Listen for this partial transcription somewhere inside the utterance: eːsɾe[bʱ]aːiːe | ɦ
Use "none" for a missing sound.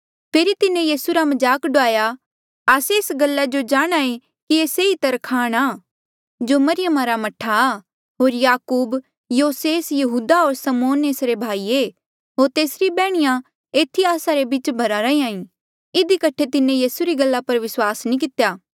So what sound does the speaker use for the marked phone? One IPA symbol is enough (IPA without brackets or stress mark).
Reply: bʱ